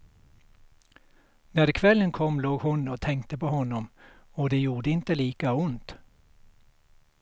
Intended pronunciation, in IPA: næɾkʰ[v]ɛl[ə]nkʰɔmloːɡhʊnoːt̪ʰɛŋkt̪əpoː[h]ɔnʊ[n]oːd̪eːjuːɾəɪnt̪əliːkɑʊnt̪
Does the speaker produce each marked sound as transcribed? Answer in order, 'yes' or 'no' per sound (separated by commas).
no, yes, yes, no